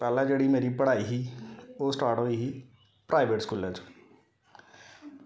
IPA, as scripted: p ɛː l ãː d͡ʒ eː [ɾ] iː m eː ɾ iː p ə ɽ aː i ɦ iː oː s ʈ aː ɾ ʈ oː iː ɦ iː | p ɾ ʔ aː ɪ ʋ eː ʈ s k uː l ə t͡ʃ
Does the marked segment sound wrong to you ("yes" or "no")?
yes